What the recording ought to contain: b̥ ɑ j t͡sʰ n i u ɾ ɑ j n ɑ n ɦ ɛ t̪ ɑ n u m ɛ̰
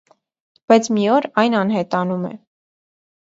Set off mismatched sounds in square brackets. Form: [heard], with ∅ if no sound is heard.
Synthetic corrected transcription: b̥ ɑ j t͡sʰ [m] i [ɔ] ɾ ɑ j n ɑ n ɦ ɛ t̪ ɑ n u m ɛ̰